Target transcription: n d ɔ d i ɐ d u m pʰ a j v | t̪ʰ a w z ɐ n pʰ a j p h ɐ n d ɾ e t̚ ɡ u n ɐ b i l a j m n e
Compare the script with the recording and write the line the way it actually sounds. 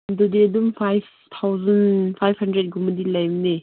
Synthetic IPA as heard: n d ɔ d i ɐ d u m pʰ a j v | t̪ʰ a w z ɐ n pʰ a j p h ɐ n d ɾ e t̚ ɡ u m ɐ d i l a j m n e